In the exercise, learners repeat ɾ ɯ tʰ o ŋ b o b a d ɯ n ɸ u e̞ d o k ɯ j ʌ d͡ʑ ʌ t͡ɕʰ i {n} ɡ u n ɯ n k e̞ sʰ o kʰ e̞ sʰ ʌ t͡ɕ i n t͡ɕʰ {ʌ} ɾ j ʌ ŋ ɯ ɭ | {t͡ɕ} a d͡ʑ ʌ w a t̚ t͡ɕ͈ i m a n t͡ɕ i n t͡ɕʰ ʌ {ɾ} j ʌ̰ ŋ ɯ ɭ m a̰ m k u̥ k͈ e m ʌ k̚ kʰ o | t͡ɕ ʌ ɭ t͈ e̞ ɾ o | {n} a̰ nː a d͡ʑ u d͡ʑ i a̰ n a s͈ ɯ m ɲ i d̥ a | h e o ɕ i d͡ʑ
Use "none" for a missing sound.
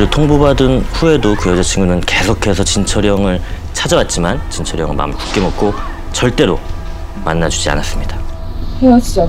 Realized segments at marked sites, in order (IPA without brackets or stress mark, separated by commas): ŋ, ʌ, t͡ɕʰ, ɾ, m